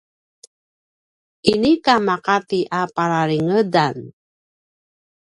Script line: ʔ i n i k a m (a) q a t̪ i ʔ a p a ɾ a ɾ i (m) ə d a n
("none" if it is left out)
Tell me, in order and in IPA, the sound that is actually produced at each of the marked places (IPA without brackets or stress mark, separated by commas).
a, ŋ